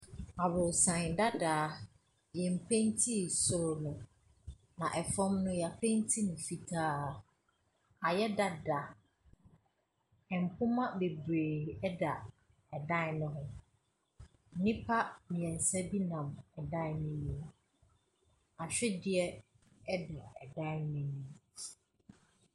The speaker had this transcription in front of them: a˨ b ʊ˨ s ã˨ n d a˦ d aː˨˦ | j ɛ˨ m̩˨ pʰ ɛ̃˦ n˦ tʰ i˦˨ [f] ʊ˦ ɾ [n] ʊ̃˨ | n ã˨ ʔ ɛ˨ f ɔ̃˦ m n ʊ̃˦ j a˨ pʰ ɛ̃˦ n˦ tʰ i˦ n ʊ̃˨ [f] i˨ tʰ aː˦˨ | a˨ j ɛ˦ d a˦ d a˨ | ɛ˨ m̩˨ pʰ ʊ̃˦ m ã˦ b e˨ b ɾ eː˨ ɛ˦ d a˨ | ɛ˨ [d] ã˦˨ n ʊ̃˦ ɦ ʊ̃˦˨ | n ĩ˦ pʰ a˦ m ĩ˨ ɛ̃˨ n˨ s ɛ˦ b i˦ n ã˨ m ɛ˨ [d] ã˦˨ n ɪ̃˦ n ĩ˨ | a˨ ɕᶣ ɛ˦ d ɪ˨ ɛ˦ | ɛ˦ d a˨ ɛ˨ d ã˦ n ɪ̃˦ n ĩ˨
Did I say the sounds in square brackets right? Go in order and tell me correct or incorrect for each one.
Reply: incorrect: s, correct, correct, correct, correct

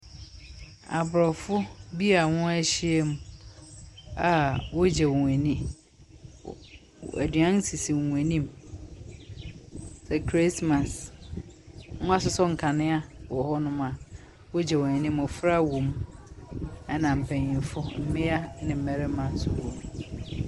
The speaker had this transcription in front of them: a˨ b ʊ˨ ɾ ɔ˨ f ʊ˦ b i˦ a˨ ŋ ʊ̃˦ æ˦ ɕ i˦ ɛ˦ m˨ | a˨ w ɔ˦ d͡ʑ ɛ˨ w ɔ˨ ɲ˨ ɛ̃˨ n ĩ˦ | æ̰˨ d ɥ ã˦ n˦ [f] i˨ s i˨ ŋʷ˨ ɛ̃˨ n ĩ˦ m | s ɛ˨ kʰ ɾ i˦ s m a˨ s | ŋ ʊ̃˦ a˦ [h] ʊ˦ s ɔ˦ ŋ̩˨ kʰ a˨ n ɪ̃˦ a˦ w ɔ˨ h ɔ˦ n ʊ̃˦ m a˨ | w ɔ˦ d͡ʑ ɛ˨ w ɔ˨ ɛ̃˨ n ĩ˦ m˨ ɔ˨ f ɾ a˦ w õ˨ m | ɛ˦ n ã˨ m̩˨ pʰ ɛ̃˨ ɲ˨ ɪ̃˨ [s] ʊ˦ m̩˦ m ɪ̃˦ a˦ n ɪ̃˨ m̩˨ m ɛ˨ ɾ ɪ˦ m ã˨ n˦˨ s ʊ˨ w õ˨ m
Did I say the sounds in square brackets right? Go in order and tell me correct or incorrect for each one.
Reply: incorrect: s, incorrect: s, incorrect: f

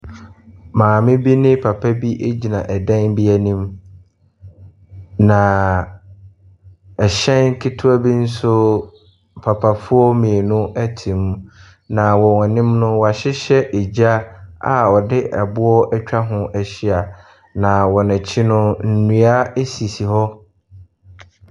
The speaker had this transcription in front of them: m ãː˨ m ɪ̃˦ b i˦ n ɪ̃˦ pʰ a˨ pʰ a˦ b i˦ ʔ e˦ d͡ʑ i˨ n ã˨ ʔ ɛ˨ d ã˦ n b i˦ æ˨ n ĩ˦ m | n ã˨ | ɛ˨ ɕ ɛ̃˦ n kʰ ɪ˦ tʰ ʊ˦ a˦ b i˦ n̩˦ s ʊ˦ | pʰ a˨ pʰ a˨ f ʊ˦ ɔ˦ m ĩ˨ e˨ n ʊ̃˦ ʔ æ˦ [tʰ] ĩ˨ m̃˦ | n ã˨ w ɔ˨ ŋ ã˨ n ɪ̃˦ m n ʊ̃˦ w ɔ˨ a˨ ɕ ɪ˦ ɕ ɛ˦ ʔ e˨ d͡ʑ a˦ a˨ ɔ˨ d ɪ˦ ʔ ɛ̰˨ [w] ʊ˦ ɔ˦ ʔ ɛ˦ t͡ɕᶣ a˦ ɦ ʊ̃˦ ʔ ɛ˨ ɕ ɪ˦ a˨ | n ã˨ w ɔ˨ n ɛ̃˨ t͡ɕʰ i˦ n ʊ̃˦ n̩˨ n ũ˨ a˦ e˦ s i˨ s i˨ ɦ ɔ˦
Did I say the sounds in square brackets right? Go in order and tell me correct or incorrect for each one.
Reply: correct, incorrect: b

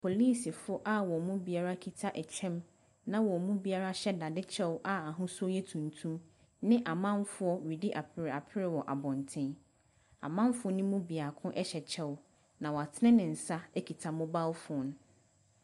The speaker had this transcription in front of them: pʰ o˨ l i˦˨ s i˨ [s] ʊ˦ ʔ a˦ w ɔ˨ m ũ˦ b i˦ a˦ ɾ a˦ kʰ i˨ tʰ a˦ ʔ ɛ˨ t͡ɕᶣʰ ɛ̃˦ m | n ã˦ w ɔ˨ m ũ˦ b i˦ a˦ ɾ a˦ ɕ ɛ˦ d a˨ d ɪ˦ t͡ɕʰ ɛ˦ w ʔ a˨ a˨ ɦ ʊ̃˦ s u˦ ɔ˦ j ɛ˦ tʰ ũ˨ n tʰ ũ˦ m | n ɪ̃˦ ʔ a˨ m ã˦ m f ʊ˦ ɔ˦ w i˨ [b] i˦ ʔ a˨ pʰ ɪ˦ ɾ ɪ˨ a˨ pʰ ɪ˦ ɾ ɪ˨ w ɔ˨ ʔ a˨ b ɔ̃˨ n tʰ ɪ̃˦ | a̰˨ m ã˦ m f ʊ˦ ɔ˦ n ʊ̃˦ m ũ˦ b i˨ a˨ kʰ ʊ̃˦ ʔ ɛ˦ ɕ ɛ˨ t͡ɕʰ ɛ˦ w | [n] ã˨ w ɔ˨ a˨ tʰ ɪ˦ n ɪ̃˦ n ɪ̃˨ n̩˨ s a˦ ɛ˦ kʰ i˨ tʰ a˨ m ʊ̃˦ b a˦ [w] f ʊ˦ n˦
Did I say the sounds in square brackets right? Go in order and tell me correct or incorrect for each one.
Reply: incorrect: f, incorrect: d, correct, correct

